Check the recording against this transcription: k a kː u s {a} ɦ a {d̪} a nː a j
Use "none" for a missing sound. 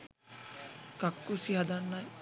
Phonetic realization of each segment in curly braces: i, d̪

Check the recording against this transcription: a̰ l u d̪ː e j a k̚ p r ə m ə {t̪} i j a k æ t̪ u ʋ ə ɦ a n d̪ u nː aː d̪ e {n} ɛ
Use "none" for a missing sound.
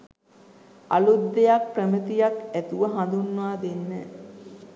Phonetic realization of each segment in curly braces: t̪, nː

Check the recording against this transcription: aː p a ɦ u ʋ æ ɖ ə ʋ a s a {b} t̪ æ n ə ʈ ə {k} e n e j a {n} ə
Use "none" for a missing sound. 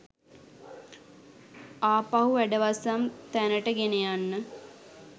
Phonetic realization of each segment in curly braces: m, ɡ, nː

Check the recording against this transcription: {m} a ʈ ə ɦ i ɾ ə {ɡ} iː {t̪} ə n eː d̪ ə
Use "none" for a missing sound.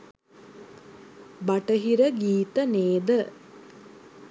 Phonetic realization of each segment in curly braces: b, ɡ, t̪

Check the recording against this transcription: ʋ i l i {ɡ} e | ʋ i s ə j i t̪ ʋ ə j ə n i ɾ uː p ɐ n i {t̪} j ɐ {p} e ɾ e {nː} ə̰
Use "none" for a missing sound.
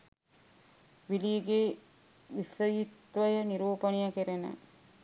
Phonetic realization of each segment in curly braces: ɡ, none, k, n

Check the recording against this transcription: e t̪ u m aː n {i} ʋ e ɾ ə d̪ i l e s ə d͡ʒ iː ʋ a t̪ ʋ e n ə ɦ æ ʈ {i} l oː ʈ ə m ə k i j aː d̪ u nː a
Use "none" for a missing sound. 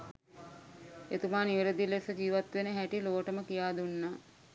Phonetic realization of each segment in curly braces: i, i

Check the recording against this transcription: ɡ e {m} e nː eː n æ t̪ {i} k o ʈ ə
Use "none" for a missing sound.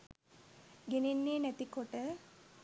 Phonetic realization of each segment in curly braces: n, i

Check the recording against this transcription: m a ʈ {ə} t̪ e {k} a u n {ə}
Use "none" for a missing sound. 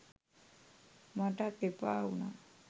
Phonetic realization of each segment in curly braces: a, p, a

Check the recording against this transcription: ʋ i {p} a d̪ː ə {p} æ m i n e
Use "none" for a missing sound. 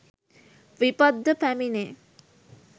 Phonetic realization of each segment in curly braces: p, p

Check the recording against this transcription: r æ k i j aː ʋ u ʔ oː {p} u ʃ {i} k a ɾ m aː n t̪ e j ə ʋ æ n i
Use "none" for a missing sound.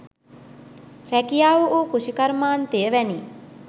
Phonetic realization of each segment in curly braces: k, i

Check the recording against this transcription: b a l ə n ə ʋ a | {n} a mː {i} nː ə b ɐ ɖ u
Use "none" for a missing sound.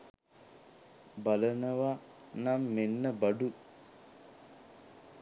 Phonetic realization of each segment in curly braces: n, e

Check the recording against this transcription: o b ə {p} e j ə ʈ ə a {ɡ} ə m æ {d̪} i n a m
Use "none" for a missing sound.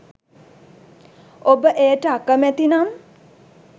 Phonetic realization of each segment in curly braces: ʔ, k, t̪

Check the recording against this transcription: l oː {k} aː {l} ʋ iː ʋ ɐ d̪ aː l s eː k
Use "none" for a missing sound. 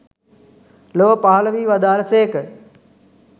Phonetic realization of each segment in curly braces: p, l

